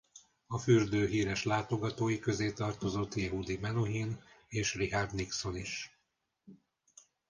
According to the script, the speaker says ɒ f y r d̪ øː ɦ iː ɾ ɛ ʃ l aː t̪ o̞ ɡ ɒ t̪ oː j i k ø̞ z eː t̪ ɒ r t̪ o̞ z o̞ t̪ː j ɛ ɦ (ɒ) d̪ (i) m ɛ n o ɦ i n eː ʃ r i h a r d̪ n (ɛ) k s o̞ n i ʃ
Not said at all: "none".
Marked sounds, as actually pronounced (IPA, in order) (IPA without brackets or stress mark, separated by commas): u, i, i